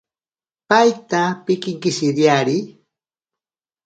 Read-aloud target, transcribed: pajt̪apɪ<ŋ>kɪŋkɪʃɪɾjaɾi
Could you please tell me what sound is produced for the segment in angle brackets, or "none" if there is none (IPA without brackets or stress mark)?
none